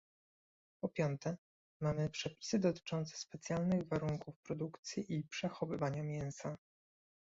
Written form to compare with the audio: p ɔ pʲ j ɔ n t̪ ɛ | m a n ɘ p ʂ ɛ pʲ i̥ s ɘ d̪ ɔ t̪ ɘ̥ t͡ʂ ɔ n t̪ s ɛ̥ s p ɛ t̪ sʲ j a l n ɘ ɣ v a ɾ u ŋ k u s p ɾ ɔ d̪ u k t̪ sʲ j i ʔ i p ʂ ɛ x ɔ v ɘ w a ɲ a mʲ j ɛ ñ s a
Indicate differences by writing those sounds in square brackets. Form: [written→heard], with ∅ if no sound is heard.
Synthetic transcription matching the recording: p ɔ pʲ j ɔ n t̪ ɛ | m a [n→m] ɘ p ʂ ɛ pʲ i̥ s ɘ d̪ ɔ t̪ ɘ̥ t͡ʂ ɔ n t̪ s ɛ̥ s p ɛ t̪ sʲ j a l n ɘ ɣ v a ɾ u ŋ k u [s→f] p ɾ ɔ d̪ u k t̪ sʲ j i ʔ i p ʂ ɛ x ɔ v ɘ [w→v] a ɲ a mʲ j ɛ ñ s a

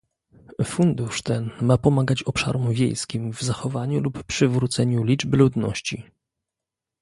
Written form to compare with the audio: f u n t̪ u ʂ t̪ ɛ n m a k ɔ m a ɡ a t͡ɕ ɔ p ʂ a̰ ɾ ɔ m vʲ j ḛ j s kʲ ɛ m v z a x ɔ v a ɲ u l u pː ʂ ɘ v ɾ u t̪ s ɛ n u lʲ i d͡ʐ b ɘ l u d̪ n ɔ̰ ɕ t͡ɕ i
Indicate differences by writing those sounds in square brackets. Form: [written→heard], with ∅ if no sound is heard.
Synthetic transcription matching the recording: f u n [t̪→d̪] u ʂ t̪ ɛ n m a [k→p] ɔ m a ɡ a t͡ɕ ɔ p ʂ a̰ ɾ ɔ m vʲ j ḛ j s kʲ [ɛ→i] m v z a x ɔ v a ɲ u l u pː ʂ ɘ v ɾ u t̪ s ɛ [n→ɲ] u lʲ i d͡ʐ b ɘ l u d̪ n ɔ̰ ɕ t͡ɕ i

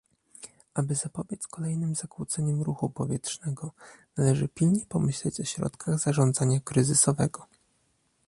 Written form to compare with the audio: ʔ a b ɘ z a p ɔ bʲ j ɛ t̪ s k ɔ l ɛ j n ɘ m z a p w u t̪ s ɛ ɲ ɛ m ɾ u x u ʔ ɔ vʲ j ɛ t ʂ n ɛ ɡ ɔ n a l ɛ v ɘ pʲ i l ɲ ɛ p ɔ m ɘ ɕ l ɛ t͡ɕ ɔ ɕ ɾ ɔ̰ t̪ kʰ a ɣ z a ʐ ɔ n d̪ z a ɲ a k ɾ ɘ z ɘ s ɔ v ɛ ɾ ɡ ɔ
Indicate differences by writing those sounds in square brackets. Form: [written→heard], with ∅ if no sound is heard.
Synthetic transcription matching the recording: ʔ a b ɘ z a p ɔ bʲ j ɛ t̪ s k ɔ l ɛ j n ɘ m z a [p→k] w u t̪ s ɛ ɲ ɛ m ɾ u x u [ʔ→p] ɔ vʲ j ɛ t ʂ n ɛ ɡ ɔ n a l ɛ [v→ʐ] ɘ pʲ i l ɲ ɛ p ɔ m ɘ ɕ l ɛ t͡ɕ ɔ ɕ ɾ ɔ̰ t̪ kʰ a ɣ z a ʐ ɔ n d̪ z a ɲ a k ɾ ɘ z ɘ s ɔ v ɛ [ɾ→∅] ɡ ɔ

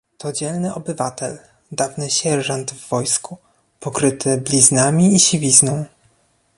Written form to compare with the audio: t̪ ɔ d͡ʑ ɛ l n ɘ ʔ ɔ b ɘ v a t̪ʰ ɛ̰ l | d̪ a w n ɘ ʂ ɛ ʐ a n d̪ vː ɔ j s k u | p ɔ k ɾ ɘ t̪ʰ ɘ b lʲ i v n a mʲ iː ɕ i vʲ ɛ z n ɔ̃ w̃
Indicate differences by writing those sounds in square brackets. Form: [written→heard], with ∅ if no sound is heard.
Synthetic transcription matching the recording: t̪ ɔ d͡ʑ ɛ l n ɘ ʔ ɔ b ɘ v a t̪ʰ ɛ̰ l | d̪ a [w→v] n ɘ [ʂ→ɕ] ɛ ʐ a n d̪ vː ɔ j s k u | p ɔ k ɾ ɘ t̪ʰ ɘ b lʲ i [v→z] n a mʲ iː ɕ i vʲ [ɛ→i] z n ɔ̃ w̃

